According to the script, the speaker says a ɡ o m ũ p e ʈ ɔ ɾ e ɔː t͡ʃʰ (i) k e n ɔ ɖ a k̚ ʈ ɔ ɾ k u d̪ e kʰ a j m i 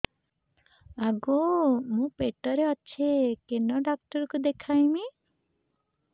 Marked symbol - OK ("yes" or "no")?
no